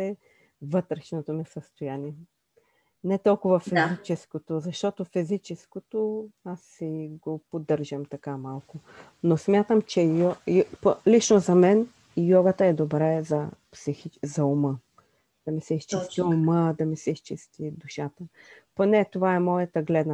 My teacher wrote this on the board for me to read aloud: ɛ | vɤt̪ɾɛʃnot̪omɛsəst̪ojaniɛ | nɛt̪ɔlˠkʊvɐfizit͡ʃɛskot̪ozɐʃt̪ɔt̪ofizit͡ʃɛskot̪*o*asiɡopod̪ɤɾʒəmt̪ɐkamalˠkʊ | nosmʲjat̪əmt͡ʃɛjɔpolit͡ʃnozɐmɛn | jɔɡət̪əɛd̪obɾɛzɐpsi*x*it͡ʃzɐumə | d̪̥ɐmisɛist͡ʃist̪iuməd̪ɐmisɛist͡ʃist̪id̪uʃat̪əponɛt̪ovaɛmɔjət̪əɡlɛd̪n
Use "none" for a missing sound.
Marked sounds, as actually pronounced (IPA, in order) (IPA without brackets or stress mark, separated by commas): o, x